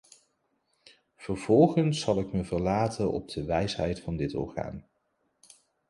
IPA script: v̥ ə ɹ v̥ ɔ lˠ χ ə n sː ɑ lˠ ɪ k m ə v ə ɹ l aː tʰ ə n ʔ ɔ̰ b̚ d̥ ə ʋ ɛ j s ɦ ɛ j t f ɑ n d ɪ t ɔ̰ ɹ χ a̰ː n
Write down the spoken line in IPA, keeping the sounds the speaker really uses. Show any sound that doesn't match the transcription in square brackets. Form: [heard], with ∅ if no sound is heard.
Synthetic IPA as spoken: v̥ ə ɹ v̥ ɔ lˠ χ ə n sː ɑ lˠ ɪ k m ə v ə ɹ l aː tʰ ə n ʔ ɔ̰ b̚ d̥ ə ʋ ɛ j s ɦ ɛ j t f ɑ n d ɪ t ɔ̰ ɹ χ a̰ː n